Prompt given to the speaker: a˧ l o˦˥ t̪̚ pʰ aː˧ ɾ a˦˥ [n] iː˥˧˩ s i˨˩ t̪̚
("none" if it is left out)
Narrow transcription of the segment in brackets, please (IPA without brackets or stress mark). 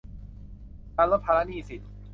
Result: n